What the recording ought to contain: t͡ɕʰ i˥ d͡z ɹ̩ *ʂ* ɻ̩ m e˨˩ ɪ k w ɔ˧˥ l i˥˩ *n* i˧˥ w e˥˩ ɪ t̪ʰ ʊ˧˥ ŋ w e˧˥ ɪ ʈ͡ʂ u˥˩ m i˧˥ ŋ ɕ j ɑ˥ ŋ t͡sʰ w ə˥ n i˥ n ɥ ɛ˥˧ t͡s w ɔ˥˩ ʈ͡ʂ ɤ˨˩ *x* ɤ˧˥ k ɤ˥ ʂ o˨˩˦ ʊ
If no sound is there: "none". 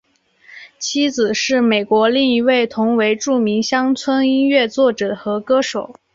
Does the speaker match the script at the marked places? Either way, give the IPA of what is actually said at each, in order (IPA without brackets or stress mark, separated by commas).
ʂ, ŋ, x